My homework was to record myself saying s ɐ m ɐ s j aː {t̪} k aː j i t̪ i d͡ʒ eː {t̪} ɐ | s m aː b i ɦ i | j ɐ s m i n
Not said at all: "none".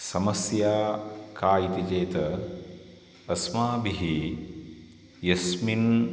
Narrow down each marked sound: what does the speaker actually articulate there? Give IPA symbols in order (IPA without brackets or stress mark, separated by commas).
none, t̪